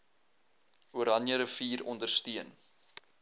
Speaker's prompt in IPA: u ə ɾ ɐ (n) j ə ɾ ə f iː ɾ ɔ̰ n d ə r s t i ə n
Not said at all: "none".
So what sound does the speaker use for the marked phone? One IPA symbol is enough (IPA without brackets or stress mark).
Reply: n